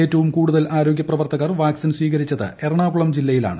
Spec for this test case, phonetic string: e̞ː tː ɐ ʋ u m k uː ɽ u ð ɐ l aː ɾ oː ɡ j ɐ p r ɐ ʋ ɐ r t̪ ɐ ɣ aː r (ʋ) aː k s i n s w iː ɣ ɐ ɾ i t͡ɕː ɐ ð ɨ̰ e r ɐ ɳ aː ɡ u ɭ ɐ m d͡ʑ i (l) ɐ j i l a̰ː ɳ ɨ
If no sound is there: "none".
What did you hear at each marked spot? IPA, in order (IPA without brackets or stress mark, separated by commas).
ʋ, lː